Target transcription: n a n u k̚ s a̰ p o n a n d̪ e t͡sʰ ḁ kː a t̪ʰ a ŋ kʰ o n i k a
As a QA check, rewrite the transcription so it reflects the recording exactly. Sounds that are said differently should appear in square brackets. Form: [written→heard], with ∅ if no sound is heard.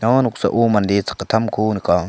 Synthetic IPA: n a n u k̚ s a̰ [p→ʔ] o [n→m] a n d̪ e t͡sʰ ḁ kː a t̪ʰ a [ŋ→m] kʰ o n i k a